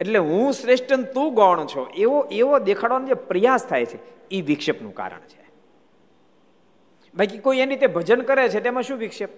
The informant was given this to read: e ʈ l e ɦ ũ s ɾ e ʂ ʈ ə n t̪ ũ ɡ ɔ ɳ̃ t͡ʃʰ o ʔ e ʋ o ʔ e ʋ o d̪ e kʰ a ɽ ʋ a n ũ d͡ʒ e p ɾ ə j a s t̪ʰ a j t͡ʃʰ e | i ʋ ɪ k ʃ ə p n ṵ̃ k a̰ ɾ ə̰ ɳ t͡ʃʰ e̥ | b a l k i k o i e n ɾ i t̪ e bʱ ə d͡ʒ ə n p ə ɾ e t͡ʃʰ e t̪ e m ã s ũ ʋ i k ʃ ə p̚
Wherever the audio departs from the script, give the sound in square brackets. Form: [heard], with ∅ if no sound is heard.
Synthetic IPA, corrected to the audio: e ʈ l e ɦ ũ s ɾ e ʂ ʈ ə n t̪ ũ ɡ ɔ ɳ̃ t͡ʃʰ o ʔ e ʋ o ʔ e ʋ o d̪ e kʰ a ɽ ʋ a n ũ d͡ʒ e p ɾ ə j a s t̪ʰ a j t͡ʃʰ e | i ʋ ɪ k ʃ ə p n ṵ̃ k a̰ ɾ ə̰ ɳ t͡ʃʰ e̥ | b a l k i k o i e n ɾ i t̪ e bʱ ə d͡ʒ ə n [k] ə ɾ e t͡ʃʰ e t̪ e m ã [ʃ] ũ ʋ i k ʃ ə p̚